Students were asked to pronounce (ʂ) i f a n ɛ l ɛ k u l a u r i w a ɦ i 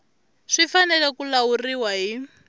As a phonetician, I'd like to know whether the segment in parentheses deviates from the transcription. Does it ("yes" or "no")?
no